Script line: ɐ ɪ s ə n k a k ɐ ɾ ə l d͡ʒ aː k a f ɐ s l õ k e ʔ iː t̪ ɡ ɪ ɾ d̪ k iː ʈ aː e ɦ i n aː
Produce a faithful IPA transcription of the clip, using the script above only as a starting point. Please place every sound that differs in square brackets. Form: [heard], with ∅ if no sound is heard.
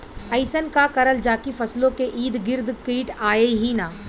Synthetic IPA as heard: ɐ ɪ s ə n k a k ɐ ɾ ə l d͡ʒ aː k [i] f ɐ s l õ k e ʔ iː [d̪] ɡ ɪ ɾ d̪ k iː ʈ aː e ɦ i n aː